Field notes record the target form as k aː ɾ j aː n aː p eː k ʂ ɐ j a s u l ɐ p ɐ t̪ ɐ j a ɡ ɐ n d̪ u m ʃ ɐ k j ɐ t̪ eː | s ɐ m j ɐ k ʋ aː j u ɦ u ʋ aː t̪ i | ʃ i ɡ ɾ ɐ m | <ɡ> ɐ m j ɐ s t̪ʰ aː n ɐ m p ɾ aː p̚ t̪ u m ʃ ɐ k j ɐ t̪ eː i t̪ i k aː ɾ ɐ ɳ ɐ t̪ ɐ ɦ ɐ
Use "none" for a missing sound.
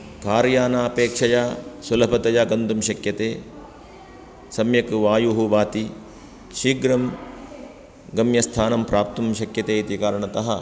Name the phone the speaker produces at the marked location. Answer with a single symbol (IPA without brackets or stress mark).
ɡ